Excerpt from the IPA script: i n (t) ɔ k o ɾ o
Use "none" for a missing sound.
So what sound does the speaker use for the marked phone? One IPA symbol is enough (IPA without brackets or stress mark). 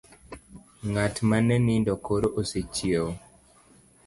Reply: d